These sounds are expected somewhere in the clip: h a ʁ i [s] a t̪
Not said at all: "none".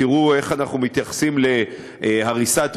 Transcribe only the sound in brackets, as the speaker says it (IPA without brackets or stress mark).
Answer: s